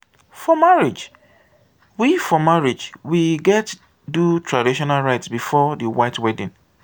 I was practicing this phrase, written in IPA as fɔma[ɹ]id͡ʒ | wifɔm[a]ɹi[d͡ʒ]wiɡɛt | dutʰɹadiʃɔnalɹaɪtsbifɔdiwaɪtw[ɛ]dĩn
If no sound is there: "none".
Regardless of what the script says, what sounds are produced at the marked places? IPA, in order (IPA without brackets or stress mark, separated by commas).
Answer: ɹ, a, d͡ʒ, ɛ